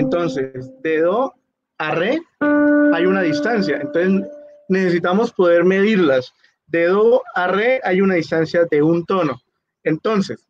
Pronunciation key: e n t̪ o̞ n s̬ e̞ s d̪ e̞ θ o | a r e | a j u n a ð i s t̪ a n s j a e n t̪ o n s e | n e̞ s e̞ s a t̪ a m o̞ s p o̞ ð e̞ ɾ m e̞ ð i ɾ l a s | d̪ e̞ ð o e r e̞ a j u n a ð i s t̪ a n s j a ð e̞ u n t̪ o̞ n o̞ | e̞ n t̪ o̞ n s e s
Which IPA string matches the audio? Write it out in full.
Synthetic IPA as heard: e n t̪ o̞ n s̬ e̞ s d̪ e̞ ð o | a r e | a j u n a ð i s t̪ a n s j a e n t̪ o n s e | n e̞ s e̞ s i t̪ a m o̞ s p o̞ ð e̞ ɾ m e̞ ð i ɾ l a s | d̪ e̞ ð o a r e̞ a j u n a ð i s t̪ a n s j a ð e̞ u n t̪ o̞ n o̞ | e̞ n t̪ o̞ n s e s